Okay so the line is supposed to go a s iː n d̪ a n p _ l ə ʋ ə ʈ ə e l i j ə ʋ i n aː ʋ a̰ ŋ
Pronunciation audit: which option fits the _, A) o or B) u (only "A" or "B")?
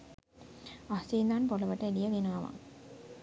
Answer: A